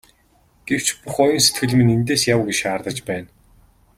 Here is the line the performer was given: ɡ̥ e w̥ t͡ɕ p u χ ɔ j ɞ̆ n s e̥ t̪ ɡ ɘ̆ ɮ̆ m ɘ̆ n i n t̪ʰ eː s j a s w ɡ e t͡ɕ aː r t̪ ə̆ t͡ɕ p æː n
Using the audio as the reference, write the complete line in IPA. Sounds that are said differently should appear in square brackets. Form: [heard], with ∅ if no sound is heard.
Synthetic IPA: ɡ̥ e w̥ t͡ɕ p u χ ɔ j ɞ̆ n s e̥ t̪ ɡ ɘ̆ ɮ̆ m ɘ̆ n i n [t̪] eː s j a [∅] w ɡ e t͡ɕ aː r t̪ ə̆ t͡ɕ p æː n